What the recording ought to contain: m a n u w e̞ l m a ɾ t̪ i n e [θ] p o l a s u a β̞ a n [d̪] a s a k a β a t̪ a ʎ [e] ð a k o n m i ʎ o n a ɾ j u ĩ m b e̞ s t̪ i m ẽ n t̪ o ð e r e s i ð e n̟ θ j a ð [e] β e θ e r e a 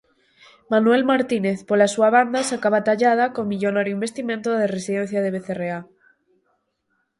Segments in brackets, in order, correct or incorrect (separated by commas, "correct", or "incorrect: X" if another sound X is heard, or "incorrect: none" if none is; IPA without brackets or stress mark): correct, correct, incorrect: a, correct